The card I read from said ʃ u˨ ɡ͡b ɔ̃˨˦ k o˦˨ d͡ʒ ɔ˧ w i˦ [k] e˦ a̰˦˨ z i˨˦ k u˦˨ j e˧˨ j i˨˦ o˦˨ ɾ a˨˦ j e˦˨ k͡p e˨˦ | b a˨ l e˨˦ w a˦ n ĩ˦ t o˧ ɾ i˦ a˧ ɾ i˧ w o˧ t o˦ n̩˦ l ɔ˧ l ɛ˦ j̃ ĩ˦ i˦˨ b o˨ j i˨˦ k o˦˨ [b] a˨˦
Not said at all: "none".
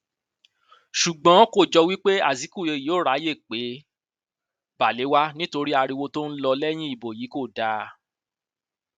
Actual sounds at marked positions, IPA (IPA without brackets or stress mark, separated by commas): k͡p, d